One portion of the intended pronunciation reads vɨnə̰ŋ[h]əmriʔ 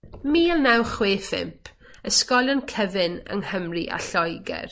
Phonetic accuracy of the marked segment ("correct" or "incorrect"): correct